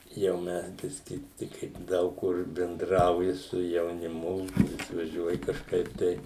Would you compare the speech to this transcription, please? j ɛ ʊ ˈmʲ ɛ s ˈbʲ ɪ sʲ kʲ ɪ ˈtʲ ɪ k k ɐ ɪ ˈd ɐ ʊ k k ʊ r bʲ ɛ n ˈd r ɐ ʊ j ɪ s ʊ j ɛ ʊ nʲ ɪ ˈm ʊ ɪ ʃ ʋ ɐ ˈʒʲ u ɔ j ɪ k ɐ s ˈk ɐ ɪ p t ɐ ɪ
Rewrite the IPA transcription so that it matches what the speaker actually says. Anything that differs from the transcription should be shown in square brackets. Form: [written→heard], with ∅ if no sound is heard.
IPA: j ɛ ʊ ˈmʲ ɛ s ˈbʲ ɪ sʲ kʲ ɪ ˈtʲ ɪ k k ɐ ɪ ˈd ɐ ʊ k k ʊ r bʲ ɛ n ˈd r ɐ ʊ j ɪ s ʊ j ɛ ʊ nʲ ɪ ˈm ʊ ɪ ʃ ʋ ɐ ˈʒʲ u ɔ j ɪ k ɐ [s→ʃ] ˈk ɐ ɪ p t ɐ ɪ